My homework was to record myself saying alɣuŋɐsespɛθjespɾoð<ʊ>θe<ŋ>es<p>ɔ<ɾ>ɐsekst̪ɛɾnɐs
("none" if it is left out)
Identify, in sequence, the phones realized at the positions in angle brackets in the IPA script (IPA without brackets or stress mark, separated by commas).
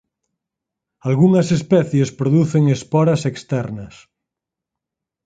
u, ŋ, p, ɾ